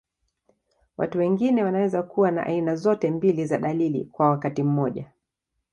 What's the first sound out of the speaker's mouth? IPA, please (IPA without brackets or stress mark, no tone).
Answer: w